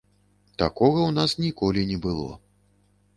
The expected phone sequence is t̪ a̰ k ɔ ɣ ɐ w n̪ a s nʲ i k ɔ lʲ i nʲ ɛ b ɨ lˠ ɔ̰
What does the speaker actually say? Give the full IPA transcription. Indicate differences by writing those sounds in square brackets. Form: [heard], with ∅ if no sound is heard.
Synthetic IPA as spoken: t̪ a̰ k ɔ ɣ ɐ w n̪ a s nʲ i k ɔ lʲ i nʲ ɛ b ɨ lˠ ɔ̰